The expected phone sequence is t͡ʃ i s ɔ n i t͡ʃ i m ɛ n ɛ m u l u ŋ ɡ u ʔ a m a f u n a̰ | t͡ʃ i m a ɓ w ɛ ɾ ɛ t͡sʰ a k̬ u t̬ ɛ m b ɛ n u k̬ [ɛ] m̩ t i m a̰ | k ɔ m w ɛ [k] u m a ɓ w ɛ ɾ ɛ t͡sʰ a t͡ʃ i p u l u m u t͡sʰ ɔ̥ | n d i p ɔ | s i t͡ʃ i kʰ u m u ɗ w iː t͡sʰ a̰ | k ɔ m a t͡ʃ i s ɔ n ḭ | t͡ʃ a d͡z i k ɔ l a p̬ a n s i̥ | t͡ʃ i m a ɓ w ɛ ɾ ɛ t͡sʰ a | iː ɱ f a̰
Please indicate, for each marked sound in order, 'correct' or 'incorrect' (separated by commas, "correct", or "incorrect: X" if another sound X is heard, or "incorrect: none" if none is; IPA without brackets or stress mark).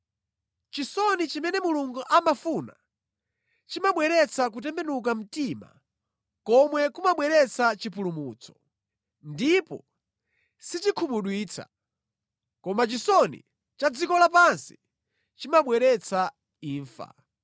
incorrect: a, correct